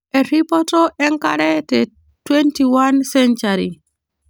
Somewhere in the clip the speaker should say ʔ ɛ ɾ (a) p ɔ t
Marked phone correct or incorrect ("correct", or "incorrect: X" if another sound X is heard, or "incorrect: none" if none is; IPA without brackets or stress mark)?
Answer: incorrect: i